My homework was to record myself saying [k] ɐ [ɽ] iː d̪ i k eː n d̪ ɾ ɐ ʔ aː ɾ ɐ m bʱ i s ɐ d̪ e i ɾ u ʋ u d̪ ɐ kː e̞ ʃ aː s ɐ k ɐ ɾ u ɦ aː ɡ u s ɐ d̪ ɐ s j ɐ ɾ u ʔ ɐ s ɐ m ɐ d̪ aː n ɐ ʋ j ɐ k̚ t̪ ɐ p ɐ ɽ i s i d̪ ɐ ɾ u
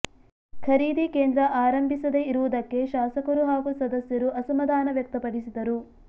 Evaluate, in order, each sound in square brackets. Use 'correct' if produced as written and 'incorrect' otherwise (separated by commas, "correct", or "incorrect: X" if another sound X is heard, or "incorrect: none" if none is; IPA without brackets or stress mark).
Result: incorrect: kʰ, incorrect: ɾ